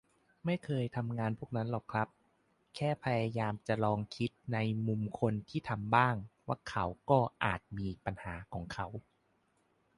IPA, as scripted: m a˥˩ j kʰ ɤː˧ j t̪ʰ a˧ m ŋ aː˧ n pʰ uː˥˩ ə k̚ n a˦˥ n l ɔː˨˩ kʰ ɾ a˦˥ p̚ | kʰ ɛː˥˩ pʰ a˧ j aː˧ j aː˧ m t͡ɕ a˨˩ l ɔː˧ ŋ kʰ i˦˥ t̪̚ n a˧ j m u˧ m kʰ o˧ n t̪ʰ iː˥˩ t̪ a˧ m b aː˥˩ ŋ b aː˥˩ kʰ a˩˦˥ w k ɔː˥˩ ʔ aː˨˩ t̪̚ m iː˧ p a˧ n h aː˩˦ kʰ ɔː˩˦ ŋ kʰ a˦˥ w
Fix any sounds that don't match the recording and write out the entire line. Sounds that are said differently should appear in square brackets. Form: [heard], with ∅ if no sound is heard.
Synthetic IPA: m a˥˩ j kʰ ɤː˧ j t̪ʰ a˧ m ŋ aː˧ n pʰ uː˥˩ ə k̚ n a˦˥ n l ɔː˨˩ kʰ ɾ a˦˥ p̚ | kʰ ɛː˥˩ pʰ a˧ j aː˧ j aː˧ m t͡ɕ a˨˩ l ɔː˧ ŋ kʰ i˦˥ t̪̚ n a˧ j m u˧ m kʰ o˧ n t̪ʰ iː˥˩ [t̪ʰ] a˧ m b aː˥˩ ŋ [w] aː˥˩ kʰ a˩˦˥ w k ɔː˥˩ ʔ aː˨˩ t̪̚ m iː˧ p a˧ n h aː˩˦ kʰ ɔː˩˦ ŋ kʰ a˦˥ w